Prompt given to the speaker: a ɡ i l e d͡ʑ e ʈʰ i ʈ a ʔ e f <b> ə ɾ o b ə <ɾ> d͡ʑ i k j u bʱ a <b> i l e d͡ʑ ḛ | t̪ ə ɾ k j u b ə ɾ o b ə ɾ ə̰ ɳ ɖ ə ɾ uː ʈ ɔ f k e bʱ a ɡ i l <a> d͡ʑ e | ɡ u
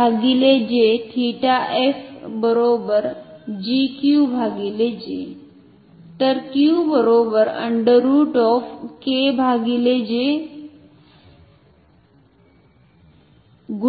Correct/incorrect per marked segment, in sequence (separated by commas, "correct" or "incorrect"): correct, correct, incorrect, incorrect